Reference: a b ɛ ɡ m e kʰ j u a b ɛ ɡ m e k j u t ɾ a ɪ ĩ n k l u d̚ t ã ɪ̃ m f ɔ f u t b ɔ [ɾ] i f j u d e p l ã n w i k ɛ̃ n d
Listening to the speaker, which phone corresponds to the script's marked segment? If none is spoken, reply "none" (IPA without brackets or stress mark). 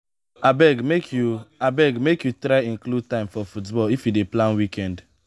l